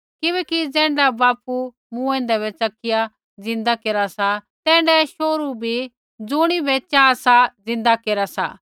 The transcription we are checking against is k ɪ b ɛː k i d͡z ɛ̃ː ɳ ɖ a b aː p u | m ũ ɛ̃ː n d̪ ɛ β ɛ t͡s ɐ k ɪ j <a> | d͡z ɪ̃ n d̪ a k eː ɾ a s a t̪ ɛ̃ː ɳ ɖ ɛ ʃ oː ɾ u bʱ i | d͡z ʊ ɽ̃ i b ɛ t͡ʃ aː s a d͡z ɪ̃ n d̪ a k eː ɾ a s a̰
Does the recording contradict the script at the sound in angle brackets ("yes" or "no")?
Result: no